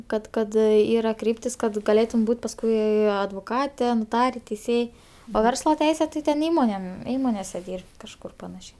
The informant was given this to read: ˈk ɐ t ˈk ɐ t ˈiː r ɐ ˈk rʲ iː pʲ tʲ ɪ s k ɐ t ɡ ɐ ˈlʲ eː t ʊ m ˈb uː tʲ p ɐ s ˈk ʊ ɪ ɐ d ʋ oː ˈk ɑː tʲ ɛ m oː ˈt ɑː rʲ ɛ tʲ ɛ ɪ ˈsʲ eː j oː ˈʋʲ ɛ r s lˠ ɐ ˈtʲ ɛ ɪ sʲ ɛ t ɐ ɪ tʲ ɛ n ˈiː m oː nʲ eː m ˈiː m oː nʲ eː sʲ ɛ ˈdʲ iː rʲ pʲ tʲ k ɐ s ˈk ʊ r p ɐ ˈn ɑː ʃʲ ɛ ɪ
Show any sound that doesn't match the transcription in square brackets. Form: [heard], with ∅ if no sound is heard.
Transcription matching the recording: ˈk ɐ t ˈk ɐ t ˈiː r ɐ ˈk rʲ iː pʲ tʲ ɪ s k ɐ t ɡ ɐ ˈlʲ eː t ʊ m ˈb uː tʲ p ɐ s ˈk ʊ ɪ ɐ d ʋ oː ˈk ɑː tʲ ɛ [n] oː ˈt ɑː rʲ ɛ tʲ ɛ ɪ ˈsʲ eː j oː ˈʋʲ ɛ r s lˠ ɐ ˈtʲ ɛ ɪ sʲ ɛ t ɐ ɪ tʲ ɛ n ˈiː m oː nʲ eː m ˈiː m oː nʲ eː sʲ ɛ ˈdʲ iː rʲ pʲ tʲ k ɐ [ʃ] ˈk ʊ r p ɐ ˈn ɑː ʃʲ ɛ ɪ